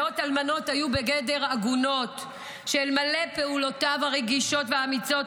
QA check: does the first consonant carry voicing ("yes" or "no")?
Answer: no